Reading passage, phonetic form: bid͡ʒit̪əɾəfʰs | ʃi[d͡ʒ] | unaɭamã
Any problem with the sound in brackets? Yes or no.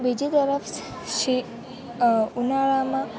yes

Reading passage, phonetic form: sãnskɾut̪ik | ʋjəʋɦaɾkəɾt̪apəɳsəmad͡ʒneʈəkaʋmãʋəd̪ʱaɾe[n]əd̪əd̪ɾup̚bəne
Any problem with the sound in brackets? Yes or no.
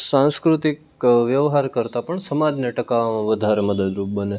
yes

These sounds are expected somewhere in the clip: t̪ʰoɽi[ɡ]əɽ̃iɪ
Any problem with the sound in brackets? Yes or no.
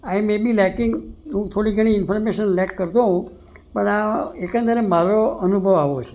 no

